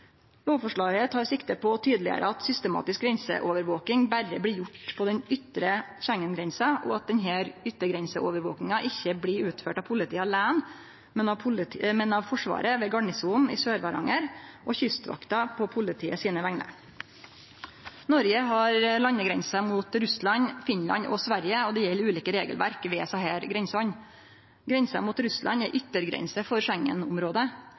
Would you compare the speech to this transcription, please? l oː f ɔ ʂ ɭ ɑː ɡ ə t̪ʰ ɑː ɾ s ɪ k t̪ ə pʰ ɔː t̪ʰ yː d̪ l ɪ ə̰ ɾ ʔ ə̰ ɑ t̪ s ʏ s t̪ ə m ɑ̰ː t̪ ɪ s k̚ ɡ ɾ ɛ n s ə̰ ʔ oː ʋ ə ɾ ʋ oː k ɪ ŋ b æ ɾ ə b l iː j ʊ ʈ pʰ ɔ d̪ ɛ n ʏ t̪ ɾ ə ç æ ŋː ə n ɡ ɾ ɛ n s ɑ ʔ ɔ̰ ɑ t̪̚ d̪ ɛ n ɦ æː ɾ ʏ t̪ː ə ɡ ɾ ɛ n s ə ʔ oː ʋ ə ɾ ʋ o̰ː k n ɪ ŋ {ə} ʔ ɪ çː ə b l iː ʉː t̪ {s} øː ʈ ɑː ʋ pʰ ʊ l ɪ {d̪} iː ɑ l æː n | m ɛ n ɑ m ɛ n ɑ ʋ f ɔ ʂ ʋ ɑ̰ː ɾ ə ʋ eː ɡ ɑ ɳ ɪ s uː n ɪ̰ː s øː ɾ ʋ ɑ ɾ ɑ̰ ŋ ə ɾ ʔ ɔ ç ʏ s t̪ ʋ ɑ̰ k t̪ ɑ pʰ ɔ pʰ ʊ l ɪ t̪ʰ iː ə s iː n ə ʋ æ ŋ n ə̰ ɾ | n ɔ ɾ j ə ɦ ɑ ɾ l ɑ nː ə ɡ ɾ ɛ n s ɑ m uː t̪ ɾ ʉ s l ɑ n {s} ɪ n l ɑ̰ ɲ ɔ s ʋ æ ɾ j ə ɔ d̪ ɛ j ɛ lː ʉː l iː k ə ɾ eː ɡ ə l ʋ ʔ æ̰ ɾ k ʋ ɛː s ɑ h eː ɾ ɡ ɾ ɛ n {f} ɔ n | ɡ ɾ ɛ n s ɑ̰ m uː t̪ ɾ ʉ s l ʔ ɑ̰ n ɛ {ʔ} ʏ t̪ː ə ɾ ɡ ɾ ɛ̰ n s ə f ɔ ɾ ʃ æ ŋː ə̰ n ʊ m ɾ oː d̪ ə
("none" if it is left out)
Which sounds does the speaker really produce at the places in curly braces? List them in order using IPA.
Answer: ɑ, f, t̪, f, s, ʔ

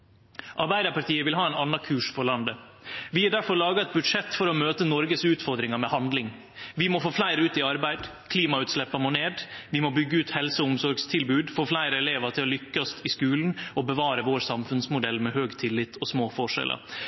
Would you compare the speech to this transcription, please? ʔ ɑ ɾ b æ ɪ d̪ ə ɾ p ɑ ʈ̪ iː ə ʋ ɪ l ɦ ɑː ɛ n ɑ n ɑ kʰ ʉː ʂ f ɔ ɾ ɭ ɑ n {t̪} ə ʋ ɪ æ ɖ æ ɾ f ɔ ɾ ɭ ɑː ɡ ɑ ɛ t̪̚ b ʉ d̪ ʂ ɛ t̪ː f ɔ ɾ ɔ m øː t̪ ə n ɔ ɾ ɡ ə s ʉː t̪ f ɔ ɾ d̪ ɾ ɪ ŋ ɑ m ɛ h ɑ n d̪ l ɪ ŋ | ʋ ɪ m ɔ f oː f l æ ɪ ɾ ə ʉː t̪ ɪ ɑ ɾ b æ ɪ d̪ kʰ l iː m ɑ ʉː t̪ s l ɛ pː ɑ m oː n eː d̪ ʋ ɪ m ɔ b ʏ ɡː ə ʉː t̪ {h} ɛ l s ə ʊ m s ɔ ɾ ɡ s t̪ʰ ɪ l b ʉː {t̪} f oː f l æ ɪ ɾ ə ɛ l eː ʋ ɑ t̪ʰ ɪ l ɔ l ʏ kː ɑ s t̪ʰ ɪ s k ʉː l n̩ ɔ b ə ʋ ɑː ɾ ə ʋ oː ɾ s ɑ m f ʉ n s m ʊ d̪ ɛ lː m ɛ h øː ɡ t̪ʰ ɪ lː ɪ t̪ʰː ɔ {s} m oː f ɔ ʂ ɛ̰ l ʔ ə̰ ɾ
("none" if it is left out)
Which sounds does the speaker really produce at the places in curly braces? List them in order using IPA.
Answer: d̪, h, d̪, s

